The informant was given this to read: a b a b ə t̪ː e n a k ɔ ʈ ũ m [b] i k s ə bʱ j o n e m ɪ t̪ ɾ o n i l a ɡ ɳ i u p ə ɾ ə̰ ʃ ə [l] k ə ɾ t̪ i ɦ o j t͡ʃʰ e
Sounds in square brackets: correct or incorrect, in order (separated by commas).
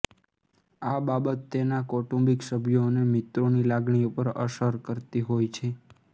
correct, incorrect